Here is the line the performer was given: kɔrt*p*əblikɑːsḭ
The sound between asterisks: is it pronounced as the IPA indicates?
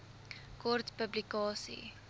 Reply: yes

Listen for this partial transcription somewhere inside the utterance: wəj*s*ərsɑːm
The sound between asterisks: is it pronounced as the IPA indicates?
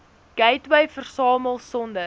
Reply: no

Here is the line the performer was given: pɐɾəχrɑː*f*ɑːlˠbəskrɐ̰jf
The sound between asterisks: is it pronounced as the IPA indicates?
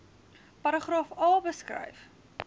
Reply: yes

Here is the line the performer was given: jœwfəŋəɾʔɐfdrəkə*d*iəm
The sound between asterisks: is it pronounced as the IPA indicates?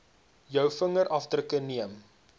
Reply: no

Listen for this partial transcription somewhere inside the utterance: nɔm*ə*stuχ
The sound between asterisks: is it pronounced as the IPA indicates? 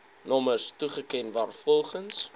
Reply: yes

